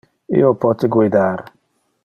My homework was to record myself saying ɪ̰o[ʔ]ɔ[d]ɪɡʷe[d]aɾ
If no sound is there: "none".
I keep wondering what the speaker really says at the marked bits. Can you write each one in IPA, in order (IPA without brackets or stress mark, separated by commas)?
p, t, d